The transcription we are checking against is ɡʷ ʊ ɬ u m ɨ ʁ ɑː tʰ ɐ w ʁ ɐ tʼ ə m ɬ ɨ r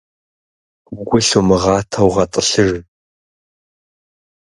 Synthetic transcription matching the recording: ɡʷ ʊ ɬ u m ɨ ʁ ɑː tʰ ɐ w ʁ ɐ tʼ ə ɬ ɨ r